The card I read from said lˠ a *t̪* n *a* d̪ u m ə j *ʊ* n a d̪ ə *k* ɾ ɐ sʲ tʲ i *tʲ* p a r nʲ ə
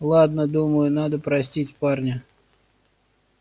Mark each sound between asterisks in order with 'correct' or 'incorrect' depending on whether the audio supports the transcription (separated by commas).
incorrect, incorrect, correct, incorrect, correct